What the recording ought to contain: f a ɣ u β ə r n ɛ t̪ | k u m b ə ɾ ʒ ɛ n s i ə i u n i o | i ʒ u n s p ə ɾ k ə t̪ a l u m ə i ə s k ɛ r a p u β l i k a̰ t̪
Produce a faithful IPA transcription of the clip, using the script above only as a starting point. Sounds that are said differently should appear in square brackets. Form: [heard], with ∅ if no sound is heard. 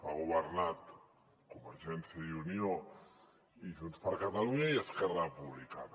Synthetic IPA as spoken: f a ɣ u β ə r n [a] t̪ | k u m b ə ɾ ʒ ɛ n s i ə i u n i o | i ʒ u n s p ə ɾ k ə t̪ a l u [ɲ] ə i ə s k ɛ r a p u β l i k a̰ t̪